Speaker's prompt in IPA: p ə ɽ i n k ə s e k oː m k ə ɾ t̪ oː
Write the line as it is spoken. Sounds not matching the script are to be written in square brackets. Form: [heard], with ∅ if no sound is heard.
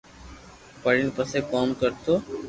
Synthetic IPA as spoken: p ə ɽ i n [p] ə s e k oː m k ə ɾ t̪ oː